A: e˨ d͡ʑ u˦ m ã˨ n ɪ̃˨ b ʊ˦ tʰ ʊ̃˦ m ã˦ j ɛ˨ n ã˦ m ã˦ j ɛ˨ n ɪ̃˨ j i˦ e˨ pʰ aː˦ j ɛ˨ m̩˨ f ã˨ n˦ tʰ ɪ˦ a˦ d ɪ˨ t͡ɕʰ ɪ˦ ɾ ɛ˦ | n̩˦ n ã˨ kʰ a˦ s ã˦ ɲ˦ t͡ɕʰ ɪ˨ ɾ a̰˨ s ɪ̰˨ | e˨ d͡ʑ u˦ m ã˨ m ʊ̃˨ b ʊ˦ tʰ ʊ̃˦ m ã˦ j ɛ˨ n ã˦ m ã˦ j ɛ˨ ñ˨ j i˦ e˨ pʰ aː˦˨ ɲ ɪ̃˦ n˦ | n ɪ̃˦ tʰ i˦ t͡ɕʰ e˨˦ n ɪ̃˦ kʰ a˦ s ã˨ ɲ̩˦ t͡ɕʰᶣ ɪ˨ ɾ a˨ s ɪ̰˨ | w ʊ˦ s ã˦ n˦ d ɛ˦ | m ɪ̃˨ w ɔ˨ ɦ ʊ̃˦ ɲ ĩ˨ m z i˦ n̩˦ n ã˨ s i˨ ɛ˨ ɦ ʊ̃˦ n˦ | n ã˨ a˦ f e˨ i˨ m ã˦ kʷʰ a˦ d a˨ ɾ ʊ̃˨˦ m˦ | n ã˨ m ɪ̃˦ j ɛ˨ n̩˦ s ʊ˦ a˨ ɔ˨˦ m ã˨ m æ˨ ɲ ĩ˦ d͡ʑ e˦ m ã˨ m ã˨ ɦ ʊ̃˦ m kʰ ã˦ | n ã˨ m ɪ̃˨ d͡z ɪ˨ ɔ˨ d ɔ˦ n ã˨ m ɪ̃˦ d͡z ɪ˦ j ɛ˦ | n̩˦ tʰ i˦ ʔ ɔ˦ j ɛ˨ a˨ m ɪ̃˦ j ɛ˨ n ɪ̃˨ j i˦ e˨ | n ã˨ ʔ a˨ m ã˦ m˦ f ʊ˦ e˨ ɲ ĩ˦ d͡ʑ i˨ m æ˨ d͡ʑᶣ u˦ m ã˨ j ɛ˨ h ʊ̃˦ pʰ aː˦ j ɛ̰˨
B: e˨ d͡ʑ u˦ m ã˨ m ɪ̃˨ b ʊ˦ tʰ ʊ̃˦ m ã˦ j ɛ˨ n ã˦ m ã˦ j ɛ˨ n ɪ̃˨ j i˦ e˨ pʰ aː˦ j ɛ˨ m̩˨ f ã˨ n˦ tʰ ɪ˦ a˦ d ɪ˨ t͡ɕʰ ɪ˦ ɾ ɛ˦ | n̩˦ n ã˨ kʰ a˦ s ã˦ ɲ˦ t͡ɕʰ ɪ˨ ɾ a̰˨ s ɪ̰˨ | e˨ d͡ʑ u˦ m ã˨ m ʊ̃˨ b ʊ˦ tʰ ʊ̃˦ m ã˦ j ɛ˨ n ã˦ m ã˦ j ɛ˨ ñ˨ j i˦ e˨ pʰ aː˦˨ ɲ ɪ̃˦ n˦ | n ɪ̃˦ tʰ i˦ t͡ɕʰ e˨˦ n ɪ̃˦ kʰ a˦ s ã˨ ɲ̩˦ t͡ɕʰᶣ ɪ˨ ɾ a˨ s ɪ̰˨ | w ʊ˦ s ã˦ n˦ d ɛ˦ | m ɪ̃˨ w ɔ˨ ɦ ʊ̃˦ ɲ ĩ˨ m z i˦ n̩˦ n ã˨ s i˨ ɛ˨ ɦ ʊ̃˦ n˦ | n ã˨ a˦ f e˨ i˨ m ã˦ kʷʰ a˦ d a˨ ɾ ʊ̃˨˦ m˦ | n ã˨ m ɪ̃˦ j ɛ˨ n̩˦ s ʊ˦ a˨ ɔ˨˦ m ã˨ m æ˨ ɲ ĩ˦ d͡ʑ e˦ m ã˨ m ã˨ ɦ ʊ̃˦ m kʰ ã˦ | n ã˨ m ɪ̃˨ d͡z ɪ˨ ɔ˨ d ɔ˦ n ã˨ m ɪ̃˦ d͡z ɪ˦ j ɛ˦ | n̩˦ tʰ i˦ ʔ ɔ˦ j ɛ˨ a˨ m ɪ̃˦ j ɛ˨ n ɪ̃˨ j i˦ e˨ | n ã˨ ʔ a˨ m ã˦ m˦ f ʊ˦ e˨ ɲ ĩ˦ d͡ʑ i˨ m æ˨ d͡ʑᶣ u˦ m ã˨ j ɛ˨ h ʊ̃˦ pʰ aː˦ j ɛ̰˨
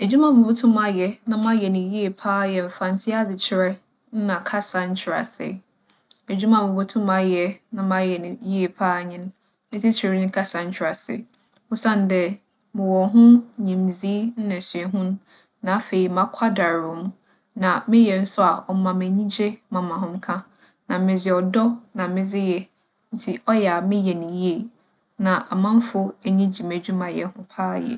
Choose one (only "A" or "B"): B